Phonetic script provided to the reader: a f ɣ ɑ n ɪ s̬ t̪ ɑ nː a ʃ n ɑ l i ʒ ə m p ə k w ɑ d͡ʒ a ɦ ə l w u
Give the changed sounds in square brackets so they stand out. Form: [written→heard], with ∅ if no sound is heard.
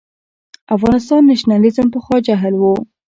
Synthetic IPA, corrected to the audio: a f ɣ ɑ n ɪ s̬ t̪ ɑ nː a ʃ n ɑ l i [ʒ→z] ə m p ə [k→x] w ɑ d͡ʒ a ɦ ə l w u